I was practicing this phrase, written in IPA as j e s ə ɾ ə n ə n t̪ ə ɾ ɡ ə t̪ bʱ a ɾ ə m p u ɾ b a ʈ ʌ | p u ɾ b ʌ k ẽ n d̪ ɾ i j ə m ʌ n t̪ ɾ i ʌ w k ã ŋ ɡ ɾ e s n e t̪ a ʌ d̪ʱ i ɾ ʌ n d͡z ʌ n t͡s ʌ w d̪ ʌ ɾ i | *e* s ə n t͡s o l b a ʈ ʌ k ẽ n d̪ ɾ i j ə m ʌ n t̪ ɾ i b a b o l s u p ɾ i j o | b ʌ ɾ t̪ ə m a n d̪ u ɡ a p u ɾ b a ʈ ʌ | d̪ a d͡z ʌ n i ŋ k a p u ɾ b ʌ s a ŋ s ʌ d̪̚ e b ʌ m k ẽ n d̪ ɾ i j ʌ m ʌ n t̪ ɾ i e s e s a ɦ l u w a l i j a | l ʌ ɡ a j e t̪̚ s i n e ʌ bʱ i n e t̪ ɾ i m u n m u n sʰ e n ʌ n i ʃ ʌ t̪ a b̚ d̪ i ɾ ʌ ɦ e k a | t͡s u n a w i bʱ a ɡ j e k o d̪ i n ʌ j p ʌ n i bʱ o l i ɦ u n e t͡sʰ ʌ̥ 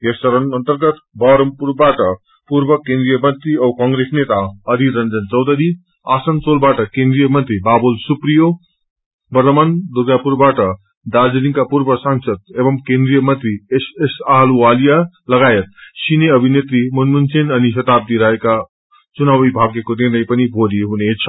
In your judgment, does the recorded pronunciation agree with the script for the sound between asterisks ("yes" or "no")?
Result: no